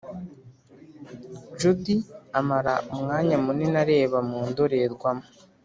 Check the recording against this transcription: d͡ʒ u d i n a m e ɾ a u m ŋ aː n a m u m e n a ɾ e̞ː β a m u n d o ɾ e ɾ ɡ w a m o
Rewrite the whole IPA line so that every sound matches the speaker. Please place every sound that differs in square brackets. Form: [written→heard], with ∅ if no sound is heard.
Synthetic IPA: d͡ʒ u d i [n→∅] a m [e→a] ɾ a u m ŋ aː [n→ɲ] a m u [m→n] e n a ɾ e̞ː β a m [u→uː] n d o ɾ e ɾ ɡ w a m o